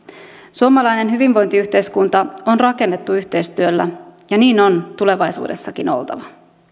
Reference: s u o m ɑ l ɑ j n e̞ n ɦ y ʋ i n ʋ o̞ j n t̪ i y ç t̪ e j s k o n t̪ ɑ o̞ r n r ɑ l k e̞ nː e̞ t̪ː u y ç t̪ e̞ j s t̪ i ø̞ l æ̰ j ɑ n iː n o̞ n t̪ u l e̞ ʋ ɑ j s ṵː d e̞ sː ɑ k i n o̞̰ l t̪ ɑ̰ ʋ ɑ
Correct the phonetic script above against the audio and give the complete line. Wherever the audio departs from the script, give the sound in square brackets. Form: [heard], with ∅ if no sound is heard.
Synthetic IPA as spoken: s u o m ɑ l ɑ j n e̞ n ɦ y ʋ i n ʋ o̞ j n t̪ i y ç t̪ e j s k [u] n t̪ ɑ o̞ [∅] n r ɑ [∅] k e̞ nː e̞ t̪ː u y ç t̪ e̞ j s t̪ [y] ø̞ [lː] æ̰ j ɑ n iː n o̞ n t̪ u l e̞ ʋ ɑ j s ṵː d e̞ sː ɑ k i n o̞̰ l t̪ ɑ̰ ʋ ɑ